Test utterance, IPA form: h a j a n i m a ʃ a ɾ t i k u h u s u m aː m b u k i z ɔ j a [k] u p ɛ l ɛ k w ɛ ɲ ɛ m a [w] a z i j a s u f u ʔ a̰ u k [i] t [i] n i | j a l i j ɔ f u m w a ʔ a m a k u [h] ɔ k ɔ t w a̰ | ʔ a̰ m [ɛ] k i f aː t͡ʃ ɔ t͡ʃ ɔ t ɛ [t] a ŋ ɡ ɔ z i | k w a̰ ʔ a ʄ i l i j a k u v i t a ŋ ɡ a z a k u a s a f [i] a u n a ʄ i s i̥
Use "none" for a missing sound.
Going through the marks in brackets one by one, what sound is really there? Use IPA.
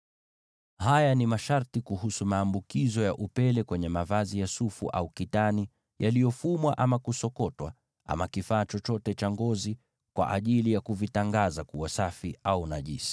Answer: ʔ, v, i, a, s, a, t͡ʃ, i

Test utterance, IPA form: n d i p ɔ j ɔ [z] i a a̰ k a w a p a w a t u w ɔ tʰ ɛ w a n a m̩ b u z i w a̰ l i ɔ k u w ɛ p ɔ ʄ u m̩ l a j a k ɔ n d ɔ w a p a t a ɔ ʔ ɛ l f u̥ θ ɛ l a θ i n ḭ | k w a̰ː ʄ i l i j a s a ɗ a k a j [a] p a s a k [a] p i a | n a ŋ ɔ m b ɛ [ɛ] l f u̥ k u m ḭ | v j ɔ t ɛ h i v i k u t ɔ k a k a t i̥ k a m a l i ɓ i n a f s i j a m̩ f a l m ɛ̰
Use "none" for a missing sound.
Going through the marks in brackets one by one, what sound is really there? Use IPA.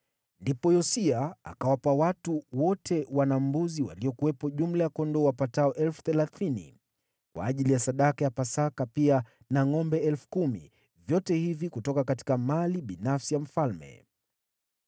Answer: s, a, a, ɛ

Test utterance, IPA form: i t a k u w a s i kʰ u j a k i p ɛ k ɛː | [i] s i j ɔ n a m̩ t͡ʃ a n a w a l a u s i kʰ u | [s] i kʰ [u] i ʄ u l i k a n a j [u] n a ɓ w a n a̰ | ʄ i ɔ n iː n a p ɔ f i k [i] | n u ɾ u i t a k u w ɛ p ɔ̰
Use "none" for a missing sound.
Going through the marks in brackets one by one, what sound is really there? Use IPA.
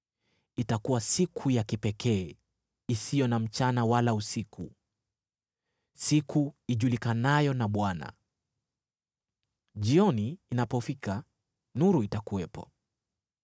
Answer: i, s, u, ɔ, a

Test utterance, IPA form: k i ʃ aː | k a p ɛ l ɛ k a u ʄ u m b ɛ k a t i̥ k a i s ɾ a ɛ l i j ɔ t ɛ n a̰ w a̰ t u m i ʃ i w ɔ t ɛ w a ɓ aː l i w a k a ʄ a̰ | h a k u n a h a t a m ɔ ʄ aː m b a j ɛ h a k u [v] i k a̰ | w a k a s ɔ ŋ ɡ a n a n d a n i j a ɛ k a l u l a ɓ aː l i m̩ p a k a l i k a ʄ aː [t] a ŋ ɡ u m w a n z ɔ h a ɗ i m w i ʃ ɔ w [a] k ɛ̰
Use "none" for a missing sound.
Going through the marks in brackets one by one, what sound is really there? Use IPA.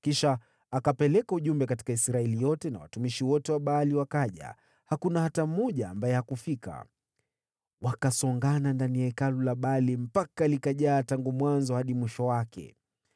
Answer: f, t, a

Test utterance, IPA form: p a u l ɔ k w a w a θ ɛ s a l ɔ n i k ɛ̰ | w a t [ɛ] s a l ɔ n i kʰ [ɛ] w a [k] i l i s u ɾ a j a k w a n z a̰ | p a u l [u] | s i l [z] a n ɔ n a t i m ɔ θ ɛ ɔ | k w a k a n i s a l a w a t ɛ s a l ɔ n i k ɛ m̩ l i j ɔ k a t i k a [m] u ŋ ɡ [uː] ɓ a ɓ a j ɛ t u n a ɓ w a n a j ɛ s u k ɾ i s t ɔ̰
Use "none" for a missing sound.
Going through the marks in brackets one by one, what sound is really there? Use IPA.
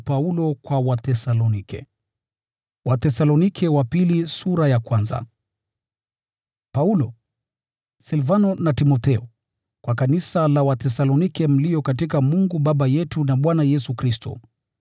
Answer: ɛ, ɛ, p, ɔ, v, m, u

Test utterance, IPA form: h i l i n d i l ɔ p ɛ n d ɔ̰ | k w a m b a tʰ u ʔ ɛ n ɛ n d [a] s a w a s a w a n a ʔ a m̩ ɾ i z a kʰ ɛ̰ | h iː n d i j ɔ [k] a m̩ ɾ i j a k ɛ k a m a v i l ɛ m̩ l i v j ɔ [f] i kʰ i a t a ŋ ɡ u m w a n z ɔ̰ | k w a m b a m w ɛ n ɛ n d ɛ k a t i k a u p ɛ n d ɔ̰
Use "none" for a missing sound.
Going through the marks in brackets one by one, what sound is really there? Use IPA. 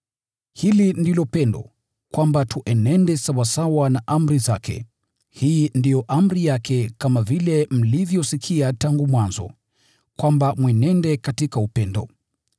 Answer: ɛ, ʔ, s

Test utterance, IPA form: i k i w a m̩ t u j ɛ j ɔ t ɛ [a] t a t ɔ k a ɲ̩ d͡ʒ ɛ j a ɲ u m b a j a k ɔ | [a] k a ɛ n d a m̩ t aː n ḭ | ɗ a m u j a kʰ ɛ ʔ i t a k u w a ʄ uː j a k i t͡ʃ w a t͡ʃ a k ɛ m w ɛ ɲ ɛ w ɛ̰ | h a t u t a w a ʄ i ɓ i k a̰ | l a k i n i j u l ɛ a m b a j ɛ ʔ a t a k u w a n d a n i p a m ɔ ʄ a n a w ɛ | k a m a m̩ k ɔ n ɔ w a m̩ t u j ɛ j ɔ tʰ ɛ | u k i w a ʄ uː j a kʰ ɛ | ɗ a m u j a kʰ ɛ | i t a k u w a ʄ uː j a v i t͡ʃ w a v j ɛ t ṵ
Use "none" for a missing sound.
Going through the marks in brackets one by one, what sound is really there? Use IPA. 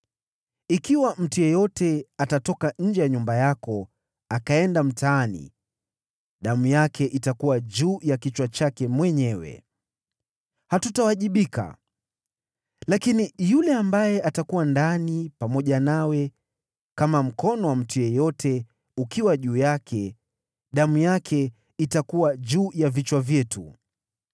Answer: a, a

